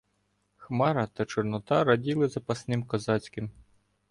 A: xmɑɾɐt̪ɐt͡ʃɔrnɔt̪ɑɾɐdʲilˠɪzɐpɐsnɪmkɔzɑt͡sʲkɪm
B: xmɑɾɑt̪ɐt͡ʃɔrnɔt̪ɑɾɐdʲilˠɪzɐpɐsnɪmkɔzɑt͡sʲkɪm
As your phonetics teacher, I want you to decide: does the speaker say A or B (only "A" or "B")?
A